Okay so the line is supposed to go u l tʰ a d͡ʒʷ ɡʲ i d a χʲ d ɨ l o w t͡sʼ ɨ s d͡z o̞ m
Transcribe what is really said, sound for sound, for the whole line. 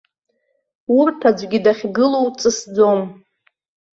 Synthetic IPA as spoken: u r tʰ a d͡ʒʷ ɡʲ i d a χʲ ɡ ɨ l o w t͡sʼ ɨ s d͡z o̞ m